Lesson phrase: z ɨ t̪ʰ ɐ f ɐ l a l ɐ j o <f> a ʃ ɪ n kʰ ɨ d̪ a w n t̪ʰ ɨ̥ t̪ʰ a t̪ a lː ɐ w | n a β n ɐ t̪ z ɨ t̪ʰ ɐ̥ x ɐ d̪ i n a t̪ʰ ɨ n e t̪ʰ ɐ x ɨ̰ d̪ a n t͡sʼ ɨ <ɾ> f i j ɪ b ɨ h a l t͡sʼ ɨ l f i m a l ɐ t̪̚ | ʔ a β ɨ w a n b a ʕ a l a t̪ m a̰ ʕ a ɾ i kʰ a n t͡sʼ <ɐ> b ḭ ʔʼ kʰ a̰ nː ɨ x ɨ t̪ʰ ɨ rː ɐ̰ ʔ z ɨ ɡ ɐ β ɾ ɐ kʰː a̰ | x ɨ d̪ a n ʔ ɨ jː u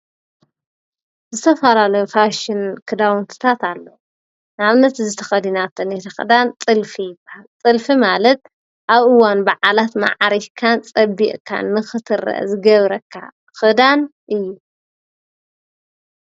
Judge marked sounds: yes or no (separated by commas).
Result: yes, no, yes